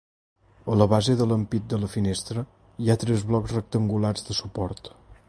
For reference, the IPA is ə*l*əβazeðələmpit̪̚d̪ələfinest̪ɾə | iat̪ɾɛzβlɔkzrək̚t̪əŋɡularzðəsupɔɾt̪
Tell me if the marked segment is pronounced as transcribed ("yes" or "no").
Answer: yes